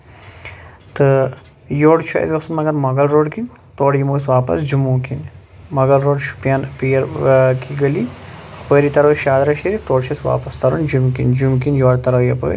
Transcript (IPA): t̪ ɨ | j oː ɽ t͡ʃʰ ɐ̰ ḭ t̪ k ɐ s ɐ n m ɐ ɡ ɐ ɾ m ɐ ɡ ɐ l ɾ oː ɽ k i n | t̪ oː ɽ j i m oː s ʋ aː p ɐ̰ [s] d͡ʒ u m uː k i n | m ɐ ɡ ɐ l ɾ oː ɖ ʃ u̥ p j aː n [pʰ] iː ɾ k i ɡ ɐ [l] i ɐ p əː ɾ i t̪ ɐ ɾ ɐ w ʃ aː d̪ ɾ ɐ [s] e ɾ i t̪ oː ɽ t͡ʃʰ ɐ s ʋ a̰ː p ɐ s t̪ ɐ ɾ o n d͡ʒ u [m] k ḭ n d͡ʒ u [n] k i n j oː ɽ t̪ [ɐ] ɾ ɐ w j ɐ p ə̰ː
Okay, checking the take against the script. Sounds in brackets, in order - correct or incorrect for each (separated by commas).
correct, incorrect, correct, incorrect, correct, incorrect, correct